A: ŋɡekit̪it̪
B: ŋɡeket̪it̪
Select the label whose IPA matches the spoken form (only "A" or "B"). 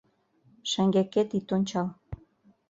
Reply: B